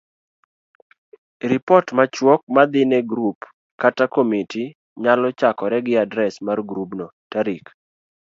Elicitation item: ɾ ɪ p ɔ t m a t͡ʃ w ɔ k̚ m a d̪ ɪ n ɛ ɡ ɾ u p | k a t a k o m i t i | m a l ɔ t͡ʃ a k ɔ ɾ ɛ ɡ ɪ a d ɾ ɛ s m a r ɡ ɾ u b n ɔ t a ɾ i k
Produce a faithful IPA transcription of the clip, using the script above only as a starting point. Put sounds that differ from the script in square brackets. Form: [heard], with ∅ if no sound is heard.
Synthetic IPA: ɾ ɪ p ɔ t m a t͡ʃ w ɔ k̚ m a d̪ ɪ n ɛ ɡ ɾ u p | k a t a k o m i t i | [ɲ] a l ɔ t͡ʃ a k ɔ ɾ ɛ ɡ ɪ a d ɾ ɛ s m a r ɡ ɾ u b n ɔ t a ɾ i k